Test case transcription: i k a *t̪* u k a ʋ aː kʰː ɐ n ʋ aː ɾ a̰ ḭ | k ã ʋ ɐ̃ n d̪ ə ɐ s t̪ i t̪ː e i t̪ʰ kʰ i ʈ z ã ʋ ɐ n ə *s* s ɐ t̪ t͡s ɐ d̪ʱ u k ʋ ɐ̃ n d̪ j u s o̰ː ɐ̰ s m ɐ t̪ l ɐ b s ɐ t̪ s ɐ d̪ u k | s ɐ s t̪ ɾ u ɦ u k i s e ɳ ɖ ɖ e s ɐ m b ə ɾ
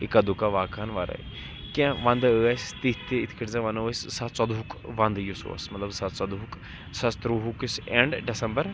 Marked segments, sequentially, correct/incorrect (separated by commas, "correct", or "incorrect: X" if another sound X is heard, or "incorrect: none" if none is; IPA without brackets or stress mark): incorrect: d̪, correct